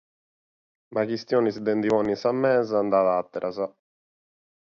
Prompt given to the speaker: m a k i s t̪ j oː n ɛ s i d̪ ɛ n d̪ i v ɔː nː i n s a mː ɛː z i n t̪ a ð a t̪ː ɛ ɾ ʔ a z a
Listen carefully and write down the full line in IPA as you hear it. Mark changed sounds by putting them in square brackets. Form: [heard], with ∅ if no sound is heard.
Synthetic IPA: m a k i s t̪ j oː n [i] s i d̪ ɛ n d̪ i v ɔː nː i n s a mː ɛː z [a] n [d̪] a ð a t̪ː ɛ ɾ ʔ a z a